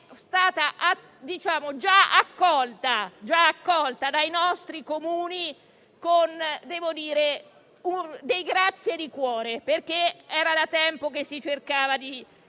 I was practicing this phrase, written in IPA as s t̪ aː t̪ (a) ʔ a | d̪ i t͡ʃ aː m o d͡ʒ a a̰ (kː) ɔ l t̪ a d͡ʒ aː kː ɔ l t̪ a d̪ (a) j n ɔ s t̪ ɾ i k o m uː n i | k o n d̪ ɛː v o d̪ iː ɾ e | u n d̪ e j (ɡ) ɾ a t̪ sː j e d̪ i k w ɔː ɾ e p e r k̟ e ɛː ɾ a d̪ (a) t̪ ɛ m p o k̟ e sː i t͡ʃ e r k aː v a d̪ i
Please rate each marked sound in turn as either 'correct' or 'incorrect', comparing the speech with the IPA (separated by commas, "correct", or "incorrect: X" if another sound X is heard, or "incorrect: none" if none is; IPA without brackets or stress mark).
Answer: correct, correct, correct, correct, correct